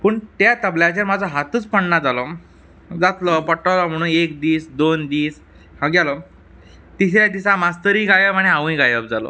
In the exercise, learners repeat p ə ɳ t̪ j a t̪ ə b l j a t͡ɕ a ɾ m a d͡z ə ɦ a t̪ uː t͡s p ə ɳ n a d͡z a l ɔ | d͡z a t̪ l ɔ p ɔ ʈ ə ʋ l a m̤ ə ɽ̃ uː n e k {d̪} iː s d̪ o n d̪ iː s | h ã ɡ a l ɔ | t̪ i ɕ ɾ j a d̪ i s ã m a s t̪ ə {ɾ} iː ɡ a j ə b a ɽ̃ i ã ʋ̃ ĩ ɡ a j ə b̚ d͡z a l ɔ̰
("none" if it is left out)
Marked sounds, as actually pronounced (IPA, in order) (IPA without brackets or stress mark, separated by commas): d̪, ɾ